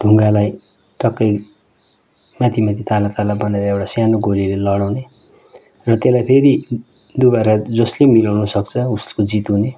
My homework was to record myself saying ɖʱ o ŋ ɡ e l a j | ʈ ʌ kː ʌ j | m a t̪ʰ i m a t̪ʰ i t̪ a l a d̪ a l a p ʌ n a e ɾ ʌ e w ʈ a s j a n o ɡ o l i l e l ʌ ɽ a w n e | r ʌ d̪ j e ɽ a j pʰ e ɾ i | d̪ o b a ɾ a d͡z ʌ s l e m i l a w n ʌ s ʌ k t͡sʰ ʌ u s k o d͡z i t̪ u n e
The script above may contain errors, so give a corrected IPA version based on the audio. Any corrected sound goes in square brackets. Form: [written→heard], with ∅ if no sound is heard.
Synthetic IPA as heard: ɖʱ [o→u] ŋ ɡ [e→a] l a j | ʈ ʌ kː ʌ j | m a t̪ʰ i m a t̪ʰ i t̪ a l a [d̪→t̪] a l a [p→b] ʌ n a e ɾ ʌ e w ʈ a s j a n o ɡ o l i l e l ʌ ɽ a w n e | r ʌ [d̪→t̪] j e [ɽ→l] a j pʰ e ɾ i | d̪ [o→u] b a ɾ a d͡z ʌ s l e m i l a w n ʌ s ʌ k t͡sʰ ʌ u s k o d͡z i t̪ u n e

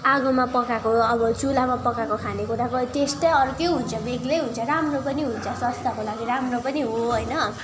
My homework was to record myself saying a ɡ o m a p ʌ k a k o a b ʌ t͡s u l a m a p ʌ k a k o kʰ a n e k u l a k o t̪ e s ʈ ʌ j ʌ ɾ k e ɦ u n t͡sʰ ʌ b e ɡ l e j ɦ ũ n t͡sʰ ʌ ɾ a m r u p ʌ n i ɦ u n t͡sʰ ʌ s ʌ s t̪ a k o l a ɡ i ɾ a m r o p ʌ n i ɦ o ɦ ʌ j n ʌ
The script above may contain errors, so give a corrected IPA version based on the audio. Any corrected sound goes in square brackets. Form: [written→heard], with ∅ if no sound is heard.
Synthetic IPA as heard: a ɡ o m a p ʌ k a k o [a→ʌ] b ʌ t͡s u l a m a p ʌ k a k o kʰ a n e k u [l→ɾ] a k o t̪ e s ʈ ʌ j ʌ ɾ k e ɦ u n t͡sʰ ʌ b e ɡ l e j ɦ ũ n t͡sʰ ʌ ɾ a m r [u→o] p ʌ n i ɦ u n t͡sʰ ʌ s ʌ s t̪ a k o l a ɡ i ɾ a m r o p ʌ n i ɦ o ɦ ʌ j n ʌ

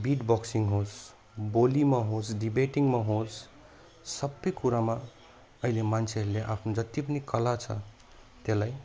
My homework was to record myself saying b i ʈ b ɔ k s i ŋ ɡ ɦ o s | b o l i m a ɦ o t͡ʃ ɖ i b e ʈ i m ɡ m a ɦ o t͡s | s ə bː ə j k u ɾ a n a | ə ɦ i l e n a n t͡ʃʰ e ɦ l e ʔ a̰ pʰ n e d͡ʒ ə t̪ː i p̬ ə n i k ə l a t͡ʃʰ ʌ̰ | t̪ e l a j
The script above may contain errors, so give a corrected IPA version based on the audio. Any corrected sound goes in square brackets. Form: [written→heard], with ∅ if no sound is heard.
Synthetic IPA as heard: b i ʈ b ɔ k s i ŋ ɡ ɦ o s | b o l i m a ɦ o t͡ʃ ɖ i b e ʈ i [m→ŋ] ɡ m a ɦ o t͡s | s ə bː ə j k u ɾ a [n→m] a | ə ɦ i l e [n→m] a n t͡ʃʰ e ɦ l e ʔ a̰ pʰ n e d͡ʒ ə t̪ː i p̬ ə n i k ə l a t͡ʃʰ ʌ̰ | t̪ e l a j

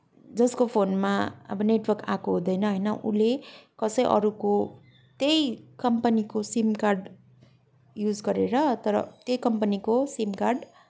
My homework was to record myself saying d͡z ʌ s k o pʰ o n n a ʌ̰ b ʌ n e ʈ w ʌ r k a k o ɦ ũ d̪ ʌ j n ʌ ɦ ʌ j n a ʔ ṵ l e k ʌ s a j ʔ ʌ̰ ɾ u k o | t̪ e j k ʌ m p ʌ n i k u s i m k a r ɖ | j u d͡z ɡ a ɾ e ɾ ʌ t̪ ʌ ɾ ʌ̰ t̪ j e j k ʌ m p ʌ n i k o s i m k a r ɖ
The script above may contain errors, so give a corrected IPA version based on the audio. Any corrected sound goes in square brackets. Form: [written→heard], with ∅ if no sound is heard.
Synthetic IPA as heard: d͡z ʌ s k o pʰ o n [n→m] a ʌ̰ b ʌ n e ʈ w ʌ r k a k o ɦ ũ d̪ ʌ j n ʌ ɦ ʌ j n [a→ʌ] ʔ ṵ l e k ʌ s [a→ʌ] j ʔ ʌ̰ ɾ u k o | t̪ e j k ʌ m p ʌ n i k [u→o] s i m k a r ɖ | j u d͡z ɡ [a→ʌ] ɾ e ɾ ʌ t̪ ʌ ɾ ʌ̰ t̪ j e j k ʌ m p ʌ n i k o s i m k a r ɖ

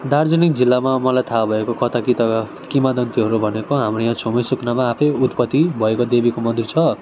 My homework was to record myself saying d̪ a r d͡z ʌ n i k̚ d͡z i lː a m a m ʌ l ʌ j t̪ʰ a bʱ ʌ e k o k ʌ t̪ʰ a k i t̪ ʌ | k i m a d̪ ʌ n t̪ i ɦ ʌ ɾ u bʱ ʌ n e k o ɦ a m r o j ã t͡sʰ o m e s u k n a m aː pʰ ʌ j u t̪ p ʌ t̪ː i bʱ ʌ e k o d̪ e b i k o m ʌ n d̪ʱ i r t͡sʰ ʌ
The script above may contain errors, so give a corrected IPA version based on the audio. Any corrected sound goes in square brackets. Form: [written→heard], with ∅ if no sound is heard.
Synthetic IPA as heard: d̪ a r d͡z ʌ n i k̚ d͡z i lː a m a m ʌ l [ʌ→a] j t̪ʰ a bʱ ʌ e k o k ʌ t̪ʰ a k i t̪ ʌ | k i m a d̪ ʌ n t̪ i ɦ ʌ ɾ u bʱ ʌ n e k o ɦ a m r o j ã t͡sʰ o m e s u k n a m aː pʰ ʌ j u t̪ p ʌ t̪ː i bʱ ʌ e k o d̪ e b i k o m ʌ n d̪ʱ i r t͡sʰ ʌ

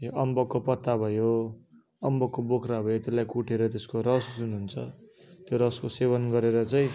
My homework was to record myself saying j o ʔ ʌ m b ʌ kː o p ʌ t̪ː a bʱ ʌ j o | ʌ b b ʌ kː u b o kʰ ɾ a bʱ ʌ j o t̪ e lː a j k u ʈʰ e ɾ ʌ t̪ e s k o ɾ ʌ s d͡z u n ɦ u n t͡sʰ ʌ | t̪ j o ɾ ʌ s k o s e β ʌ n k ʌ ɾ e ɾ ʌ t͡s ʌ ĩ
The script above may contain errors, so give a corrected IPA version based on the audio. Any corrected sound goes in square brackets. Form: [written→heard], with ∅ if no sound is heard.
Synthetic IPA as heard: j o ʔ ʌ m b ʌ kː o p ʌ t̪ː a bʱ ʌ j o | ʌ [b→m] b ʌ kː [u→o] b o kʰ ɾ a bʱ ʌ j o t̪ e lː a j k u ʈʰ e ɾ ʌ t̪ e s k o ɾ ʌ s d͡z u n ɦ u n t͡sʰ ʌ | t̪ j o ɾ ʌ s k o s e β ʌ n [k→ɡ] ʌ ɾ e ɾ ʌ t͡s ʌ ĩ

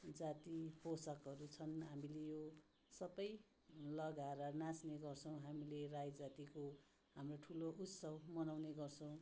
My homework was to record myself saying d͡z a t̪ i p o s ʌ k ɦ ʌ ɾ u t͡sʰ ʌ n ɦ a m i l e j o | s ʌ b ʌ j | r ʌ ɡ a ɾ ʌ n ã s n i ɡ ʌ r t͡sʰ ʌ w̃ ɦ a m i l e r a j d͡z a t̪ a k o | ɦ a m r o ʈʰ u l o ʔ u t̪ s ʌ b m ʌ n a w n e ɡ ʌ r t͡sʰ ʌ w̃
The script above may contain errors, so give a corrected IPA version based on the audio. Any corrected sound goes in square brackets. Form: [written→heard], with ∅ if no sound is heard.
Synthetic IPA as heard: d͡z a t̪ i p o s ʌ k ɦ ʌ ɾ u t͡sʰ ʌ n ɦ a m i l e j o | s ʌ b ʌ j | [r→l] ʌ ɡ a ɾ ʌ n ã s n [i→e] ɡ ʌ r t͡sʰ ʌ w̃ ɦ a m i l e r a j d͡z a t̪ [a→i] k o | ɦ a m r o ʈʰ u l o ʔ u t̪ s ʌ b m ʌ n a w n e ɡ ʌ r t͡sʰ ʌ w̃

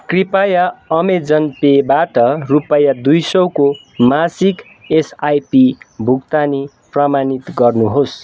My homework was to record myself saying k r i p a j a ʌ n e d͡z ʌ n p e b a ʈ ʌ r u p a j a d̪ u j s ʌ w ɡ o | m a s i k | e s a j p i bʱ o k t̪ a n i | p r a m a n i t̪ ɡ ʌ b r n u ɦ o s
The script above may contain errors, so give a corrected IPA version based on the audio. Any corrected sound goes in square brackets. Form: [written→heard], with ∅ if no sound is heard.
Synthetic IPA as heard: k r i p a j a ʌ [n→m] e d͡z ʌ n p e b a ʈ ʌ r u p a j a d̪ u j s ʌ w [ɡ→k] o | m a s i k | e s a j p i bʱ [o→u] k t̪ a n i | p r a m a n i t̪ ɡ ʌ [b→∅] r n u ɦ o s

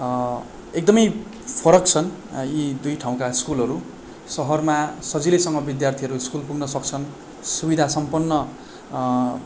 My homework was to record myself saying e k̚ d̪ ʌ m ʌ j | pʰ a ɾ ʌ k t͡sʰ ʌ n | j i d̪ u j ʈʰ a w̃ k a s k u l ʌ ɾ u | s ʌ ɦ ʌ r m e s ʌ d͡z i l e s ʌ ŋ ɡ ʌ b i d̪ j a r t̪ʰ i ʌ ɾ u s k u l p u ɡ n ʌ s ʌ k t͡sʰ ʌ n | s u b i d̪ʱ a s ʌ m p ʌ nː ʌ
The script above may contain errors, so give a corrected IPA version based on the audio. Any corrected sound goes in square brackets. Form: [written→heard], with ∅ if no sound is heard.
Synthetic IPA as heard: e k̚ d̪ ʌ m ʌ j | pʰ [a→ʌ] ɾ ʌ k t͡sʰ ʌ n | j i d̪ u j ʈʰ a w̃ k a s k u l ʌ ɾ u | s ʌ ɦ ʌ r m [e→a] s ʌ d͡z i l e s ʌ ŋ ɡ ʌ b i d̪ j a r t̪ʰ i ʌ ɾ u s k u l p u ɡ n ʌ s ʌ k t͡sʰ ʌ n | s u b i d̪ʱ a s ʌ m p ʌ nː ʌ

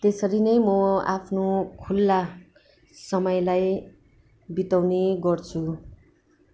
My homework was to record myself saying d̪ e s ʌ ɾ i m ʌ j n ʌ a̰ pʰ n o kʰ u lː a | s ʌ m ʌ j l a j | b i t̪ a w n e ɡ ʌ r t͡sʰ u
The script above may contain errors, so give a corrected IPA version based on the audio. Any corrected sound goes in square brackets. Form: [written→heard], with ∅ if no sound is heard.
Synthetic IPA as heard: [d̪→t̪] e s ʌ ɾ i [m→n] ʌ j [n→m] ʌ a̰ pʰ n o kʰ u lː a | s ʌ m ʌ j l a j | b i t̪ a w n e ɡ ʌ r t͡sʰ u

